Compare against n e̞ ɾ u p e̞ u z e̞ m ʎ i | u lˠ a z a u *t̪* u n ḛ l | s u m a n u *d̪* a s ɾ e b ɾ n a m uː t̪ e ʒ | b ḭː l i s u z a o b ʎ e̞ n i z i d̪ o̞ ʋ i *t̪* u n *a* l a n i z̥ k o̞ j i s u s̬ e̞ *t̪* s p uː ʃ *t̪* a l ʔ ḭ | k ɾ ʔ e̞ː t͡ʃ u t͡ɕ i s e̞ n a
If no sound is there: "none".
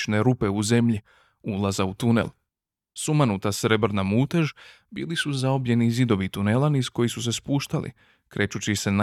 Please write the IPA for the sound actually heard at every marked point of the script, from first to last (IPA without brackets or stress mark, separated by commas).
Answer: t̪, t̪, t̪, e, none, t̪